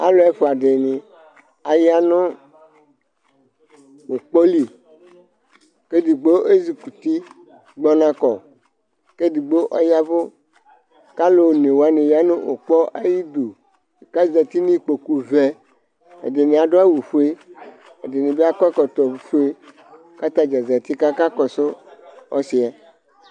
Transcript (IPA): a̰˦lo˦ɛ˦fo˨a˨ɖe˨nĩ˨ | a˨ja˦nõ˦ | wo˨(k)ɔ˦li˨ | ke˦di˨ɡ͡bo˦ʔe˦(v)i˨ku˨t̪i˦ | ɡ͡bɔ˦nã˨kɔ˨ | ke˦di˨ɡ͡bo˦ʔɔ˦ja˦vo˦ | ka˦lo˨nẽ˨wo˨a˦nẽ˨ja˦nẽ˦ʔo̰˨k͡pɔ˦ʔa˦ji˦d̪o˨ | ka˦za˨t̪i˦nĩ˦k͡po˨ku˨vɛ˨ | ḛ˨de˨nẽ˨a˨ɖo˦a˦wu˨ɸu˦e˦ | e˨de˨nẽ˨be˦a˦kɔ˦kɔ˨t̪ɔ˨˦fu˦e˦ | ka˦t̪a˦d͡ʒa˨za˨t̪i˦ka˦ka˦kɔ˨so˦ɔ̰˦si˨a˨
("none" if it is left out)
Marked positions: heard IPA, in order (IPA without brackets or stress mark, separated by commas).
k͡p, z